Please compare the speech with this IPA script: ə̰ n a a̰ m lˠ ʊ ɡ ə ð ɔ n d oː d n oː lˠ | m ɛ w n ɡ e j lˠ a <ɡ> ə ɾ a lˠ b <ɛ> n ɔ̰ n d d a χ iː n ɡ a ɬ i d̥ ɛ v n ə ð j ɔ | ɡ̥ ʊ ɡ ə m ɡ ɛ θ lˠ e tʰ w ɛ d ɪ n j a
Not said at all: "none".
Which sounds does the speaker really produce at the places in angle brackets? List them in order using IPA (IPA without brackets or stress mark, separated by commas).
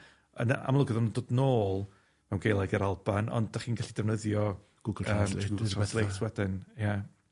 ɡ, a